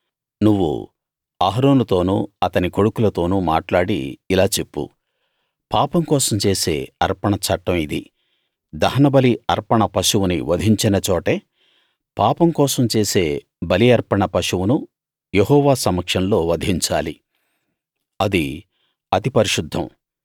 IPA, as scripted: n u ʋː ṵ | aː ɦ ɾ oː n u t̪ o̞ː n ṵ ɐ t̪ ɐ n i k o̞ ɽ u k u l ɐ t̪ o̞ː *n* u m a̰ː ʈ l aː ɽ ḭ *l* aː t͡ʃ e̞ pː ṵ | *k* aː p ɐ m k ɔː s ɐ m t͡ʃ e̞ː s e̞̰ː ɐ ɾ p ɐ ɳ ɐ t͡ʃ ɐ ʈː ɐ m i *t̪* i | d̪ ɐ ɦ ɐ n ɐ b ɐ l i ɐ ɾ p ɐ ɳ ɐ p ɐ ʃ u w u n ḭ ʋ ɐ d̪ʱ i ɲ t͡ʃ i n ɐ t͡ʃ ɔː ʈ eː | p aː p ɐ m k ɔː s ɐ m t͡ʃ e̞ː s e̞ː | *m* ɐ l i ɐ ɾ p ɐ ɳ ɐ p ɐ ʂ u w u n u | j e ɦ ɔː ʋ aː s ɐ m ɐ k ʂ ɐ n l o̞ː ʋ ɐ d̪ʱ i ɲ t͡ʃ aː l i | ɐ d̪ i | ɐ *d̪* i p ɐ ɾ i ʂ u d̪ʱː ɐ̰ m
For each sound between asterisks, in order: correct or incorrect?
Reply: correct, correct, incorrect, incorrect, incorrect, incorrect

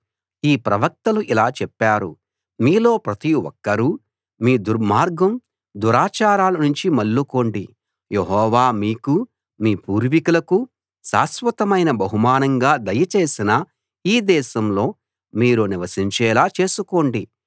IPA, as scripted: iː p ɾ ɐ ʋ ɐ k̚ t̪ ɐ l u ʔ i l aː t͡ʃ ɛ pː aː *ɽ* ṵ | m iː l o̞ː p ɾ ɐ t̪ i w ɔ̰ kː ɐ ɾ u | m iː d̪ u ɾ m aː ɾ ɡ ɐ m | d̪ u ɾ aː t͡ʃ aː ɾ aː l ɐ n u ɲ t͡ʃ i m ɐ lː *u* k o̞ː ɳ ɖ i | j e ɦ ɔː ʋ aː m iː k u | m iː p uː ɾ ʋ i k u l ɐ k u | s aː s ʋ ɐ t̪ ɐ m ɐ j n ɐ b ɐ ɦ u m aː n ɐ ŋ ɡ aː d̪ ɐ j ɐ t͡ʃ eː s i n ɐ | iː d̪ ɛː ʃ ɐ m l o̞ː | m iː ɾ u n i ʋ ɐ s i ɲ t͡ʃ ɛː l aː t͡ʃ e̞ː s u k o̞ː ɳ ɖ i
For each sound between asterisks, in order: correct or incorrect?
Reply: incorrect, correct

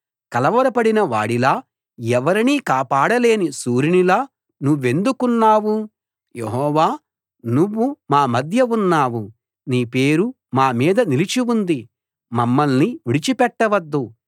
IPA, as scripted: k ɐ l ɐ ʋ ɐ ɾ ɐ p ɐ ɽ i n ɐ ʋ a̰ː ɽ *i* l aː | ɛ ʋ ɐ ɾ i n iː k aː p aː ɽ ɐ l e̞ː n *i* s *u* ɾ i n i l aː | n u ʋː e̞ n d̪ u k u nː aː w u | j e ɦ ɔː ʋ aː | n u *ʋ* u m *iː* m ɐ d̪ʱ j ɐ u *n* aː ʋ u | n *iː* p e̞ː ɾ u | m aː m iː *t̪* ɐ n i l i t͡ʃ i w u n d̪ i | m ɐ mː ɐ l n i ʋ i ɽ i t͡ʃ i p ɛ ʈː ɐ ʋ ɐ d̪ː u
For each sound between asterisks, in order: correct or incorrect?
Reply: correct, correct, incorrect, incorrect, incorrect, incorrect, correct, incorrect

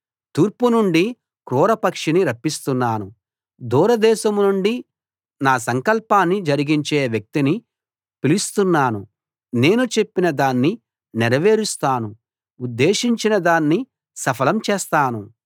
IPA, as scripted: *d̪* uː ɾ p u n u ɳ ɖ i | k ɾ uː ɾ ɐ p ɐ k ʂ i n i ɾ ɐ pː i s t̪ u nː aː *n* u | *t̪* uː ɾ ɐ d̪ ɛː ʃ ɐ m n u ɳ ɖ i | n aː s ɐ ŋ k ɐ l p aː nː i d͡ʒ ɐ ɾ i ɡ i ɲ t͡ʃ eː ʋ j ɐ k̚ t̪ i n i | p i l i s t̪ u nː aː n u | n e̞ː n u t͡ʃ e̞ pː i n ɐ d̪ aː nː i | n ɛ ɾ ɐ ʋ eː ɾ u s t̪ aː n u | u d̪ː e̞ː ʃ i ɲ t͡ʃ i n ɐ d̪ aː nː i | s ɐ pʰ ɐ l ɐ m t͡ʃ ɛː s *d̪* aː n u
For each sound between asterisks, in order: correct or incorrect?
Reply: incorrect, correct, incorrect, incorrect

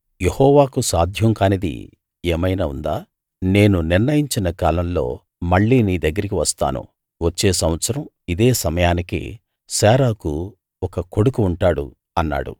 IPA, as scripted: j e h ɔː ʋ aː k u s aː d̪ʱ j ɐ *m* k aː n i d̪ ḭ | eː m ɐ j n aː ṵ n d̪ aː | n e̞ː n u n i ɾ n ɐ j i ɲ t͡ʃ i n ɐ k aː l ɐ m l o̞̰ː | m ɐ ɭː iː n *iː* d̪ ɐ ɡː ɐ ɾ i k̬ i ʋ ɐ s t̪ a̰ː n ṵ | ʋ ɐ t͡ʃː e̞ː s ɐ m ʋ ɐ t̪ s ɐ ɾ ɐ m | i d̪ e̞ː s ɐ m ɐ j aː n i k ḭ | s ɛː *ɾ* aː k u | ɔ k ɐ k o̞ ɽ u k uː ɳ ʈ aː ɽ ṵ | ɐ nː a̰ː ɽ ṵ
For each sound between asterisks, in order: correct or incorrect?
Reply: incorrect, correct, correct

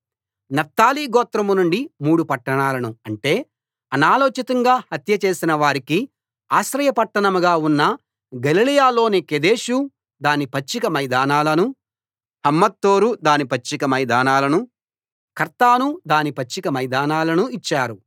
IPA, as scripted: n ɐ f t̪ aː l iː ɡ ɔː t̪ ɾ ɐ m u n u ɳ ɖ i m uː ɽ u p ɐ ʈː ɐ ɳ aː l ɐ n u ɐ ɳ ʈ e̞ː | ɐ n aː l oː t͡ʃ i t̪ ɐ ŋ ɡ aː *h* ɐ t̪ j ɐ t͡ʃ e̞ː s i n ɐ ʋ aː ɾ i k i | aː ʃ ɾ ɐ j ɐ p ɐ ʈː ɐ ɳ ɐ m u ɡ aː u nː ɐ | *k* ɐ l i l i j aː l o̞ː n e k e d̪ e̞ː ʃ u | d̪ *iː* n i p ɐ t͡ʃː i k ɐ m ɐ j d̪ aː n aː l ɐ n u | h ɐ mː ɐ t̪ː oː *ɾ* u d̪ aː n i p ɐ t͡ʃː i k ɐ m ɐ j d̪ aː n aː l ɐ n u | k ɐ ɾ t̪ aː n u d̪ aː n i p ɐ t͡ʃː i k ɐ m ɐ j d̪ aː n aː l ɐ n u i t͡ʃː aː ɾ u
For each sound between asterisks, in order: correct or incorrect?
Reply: correct, incorrect, incorrect, correct

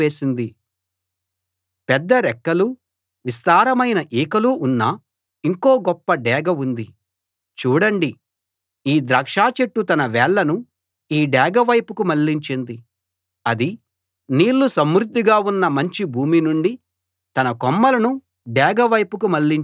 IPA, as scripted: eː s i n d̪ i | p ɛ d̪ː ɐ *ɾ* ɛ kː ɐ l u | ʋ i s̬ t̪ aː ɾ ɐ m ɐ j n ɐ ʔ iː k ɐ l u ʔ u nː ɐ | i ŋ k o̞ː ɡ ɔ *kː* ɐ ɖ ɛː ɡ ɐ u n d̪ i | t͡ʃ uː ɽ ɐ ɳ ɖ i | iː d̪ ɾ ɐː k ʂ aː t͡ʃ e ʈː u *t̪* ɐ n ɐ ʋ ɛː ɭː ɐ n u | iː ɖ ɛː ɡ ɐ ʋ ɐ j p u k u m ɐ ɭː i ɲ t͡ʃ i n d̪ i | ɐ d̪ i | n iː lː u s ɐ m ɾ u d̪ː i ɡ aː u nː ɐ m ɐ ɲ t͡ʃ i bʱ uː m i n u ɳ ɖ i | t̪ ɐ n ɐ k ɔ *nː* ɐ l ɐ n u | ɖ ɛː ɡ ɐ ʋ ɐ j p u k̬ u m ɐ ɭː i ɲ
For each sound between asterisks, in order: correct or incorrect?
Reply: correct, incorrect, correct, incorrect

